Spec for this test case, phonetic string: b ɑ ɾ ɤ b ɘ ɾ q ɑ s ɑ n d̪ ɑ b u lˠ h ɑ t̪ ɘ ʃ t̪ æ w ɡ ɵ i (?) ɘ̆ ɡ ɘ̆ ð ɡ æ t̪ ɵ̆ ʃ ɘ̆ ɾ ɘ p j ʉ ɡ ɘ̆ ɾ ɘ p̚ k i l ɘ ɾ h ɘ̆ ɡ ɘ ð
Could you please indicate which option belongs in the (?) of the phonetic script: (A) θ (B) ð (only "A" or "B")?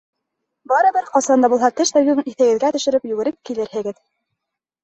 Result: A